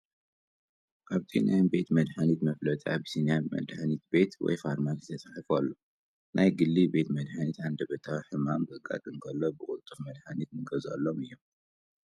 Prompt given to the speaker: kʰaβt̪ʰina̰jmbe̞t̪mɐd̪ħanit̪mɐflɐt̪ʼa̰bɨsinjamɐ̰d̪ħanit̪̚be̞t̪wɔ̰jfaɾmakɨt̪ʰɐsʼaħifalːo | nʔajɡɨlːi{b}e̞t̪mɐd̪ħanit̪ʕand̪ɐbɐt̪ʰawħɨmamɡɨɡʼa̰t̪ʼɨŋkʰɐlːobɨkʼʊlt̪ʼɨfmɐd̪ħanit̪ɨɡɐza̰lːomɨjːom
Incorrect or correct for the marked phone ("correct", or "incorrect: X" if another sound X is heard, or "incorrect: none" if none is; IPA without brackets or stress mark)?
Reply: correct